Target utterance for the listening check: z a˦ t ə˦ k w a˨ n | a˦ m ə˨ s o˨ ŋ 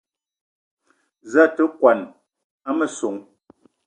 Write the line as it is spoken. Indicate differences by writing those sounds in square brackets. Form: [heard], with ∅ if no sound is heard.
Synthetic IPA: z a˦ t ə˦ k w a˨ n | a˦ m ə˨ s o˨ ŋ

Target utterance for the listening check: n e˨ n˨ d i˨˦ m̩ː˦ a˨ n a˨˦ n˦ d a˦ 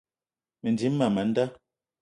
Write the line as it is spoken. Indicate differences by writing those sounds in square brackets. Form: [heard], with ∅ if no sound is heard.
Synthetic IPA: [m] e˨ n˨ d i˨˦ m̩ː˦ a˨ [m] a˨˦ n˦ d a˦

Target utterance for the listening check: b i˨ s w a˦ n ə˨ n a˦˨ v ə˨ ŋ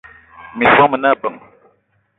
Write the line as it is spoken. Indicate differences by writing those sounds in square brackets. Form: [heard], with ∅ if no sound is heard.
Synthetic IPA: [m] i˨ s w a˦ [m] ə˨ n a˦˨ [b] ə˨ ŋ

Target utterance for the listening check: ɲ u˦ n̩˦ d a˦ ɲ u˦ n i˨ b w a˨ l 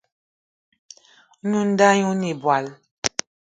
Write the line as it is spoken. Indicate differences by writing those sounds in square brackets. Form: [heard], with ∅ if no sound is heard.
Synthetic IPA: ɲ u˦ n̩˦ d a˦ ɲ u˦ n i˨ b w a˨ l

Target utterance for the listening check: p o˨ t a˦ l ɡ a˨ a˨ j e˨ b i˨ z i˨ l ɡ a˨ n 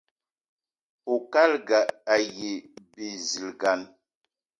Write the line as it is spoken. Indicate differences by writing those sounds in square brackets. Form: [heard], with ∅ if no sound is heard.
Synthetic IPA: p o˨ [k] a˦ l ɡ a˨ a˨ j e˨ b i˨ z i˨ l ɡ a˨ n

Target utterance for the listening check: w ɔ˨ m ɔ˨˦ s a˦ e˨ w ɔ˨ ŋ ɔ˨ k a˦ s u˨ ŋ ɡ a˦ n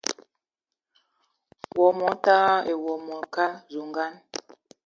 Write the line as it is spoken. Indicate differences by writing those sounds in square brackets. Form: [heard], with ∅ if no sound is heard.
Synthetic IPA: w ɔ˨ m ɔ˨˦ [t] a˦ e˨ w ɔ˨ [m] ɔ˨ k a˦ [z] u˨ ŋ ɡ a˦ n

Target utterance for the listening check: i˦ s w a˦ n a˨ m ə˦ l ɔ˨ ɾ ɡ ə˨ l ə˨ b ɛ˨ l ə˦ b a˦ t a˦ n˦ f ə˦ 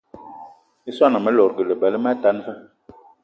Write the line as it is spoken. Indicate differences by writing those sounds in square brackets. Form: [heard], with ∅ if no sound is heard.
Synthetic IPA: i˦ s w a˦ n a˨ m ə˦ l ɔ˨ ɾ ɡ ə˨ l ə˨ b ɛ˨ l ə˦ [m] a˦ t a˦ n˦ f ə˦

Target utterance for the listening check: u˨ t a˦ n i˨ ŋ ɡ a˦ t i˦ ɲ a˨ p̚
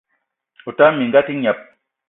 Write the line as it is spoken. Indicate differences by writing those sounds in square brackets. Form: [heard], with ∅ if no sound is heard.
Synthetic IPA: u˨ t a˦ [m] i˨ ŋ ɡ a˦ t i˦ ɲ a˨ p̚

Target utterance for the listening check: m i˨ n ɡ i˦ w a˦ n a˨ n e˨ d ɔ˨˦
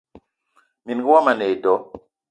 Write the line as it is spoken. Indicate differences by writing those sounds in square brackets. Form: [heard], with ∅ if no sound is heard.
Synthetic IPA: m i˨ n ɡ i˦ w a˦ [m] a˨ n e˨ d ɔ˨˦

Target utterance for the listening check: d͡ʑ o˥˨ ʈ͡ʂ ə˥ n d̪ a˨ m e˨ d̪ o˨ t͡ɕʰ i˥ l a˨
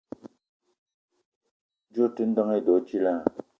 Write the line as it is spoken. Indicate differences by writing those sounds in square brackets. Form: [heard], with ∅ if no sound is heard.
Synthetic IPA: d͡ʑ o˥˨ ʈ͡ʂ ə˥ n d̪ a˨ [ŋ] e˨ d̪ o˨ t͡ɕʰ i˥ l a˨

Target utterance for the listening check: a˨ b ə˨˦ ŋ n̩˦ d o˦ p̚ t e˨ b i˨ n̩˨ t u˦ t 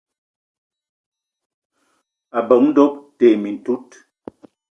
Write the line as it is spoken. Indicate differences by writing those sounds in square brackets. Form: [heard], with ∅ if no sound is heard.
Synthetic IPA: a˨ b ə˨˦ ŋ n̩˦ d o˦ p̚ t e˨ [m] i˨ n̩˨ t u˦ t

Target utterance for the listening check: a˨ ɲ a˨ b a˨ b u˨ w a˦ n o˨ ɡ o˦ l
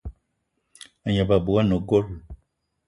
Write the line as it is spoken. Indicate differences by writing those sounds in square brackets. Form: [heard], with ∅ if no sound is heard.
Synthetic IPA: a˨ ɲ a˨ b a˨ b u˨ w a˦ n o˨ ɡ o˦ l

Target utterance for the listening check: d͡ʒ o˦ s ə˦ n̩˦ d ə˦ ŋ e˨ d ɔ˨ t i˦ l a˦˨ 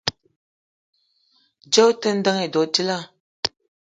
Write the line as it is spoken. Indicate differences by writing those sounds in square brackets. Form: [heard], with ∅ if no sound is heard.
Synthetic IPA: d͡ʒ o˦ [t] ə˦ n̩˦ d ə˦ ŋ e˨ d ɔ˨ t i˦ l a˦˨

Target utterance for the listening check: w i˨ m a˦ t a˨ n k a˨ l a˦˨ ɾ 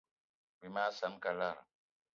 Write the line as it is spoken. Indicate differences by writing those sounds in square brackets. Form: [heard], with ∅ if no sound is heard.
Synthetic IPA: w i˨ m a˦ [s] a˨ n k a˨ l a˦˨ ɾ

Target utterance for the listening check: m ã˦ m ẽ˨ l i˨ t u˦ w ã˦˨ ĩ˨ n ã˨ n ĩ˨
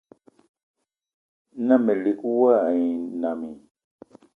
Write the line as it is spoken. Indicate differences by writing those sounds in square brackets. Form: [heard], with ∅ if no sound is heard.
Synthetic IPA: [n] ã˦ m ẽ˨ l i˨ [k] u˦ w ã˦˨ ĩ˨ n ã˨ [m] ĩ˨

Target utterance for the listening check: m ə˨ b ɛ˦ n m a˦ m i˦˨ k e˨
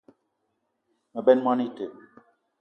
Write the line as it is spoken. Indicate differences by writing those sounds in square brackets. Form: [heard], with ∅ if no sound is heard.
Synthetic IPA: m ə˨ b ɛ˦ n m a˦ [n] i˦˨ [t] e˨

